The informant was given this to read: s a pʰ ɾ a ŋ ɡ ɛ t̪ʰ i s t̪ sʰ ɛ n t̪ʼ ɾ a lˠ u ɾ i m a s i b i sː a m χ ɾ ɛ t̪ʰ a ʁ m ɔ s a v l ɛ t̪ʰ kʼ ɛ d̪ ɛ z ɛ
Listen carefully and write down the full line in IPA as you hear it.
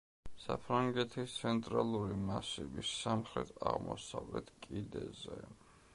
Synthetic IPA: s a pʰ ɾ a ŋ ɡ ɛ t̪ʰ i s t̪ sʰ ɛ n t̪ʼ ɾ a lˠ u ɾ i m a s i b i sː a m χ ɾ ɛ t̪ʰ a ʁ m ɔ s a v l ɛ t̪ʰ kʼ i d̪ ɛ z ɛ